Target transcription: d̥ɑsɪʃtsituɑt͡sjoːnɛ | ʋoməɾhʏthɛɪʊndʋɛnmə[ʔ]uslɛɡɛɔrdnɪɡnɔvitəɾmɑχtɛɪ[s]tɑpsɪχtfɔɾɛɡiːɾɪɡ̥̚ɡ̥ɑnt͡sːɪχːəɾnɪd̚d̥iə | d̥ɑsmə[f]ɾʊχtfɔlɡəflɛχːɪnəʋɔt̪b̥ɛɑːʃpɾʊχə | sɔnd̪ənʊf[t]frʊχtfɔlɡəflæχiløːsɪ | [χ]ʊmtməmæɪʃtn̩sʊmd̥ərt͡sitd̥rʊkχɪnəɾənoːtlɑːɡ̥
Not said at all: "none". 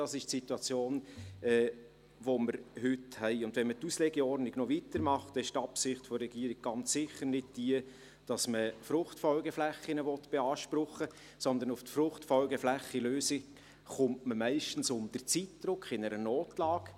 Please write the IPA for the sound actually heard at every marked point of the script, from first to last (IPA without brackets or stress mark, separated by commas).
t, ʃ, f, t, χ